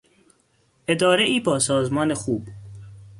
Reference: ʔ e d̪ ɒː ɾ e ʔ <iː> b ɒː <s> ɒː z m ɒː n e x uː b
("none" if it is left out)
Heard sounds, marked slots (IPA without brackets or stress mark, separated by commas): iː, s